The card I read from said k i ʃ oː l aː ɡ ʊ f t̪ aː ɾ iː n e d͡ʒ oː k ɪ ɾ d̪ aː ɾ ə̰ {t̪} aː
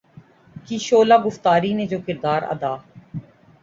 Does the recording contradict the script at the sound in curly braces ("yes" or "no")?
yes